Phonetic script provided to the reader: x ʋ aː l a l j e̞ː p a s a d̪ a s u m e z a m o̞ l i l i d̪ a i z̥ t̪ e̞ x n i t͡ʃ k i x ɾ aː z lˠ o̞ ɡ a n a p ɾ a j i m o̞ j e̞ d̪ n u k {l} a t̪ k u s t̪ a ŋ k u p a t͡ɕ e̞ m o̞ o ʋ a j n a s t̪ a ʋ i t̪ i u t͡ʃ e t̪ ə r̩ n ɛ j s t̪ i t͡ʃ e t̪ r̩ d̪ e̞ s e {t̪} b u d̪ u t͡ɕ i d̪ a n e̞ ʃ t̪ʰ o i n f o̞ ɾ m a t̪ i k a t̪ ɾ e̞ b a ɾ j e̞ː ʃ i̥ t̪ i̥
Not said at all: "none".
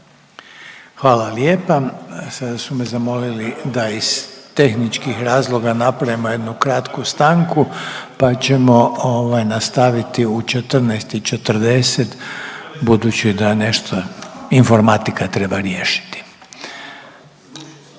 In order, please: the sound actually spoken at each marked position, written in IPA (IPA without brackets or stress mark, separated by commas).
ɾ, t̪